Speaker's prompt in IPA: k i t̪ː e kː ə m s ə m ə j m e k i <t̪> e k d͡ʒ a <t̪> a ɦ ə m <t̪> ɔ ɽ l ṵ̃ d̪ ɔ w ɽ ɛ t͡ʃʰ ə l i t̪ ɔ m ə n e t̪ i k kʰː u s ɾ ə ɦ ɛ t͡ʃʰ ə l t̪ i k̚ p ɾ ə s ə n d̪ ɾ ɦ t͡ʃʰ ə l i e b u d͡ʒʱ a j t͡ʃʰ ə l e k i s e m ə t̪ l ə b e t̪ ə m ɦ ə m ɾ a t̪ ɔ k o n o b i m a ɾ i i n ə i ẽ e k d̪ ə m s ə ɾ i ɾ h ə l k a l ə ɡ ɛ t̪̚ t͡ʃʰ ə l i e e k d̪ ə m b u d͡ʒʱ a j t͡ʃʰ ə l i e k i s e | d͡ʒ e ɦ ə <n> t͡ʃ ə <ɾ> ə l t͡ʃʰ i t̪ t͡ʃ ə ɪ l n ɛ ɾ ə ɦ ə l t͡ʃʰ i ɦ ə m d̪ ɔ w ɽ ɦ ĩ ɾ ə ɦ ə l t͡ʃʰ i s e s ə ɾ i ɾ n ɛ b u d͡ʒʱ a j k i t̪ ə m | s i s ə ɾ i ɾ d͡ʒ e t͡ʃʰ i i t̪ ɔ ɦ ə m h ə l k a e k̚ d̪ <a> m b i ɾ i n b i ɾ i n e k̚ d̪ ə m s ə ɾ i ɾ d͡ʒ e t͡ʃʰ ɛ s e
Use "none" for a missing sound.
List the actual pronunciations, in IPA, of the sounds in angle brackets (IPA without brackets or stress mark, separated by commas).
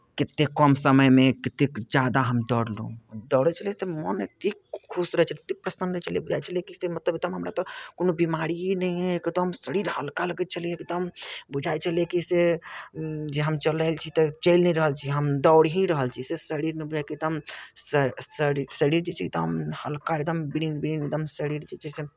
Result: t̪, d̪, d̪, m, l, ə